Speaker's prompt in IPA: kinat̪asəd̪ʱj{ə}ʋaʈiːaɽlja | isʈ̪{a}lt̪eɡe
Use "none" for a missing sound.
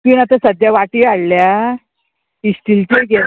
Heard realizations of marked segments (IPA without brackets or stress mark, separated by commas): a, i